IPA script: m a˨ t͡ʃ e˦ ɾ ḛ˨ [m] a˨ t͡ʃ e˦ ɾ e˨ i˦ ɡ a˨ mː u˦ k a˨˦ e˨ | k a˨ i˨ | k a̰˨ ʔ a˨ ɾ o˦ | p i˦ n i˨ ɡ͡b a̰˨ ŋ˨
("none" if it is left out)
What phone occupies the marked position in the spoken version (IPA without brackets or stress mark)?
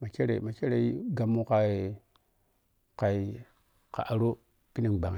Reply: m